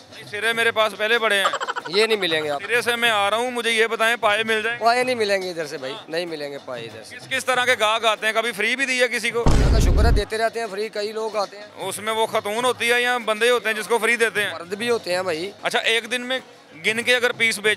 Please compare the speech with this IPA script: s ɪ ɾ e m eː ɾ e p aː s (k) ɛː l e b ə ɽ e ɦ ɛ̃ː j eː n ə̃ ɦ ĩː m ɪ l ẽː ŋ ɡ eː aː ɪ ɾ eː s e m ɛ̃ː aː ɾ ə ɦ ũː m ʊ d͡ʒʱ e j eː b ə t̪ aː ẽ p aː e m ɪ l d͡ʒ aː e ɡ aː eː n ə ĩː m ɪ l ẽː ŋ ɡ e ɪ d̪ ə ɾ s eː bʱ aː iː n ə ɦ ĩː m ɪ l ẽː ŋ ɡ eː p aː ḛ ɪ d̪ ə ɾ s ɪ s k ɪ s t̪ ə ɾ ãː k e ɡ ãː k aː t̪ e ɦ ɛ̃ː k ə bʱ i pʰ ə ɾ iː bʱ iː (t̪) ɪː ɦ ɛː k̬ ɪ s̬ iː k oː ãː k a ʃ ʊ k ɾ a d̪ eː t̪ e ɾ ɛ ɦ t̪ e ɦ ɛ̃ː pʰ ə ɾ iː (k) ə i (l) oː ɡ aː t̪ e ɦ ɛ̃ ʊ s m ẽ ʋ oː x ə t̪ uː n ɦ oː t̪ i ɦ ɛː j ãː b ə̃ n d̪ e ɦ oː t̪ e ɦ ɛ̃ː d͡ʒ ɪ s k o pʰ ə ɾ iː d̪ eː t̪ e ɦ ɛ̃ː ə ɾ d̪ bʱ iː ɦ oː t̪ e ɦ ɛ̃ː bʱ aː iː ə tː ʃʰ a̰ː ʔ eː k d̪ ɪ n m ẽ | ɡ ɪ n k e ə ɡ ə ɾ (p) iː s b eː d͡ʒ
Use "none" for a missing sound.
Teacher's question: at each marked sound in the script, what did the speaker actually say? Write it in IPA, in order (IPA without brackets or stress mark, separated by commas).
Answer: p, d̪, k, l, p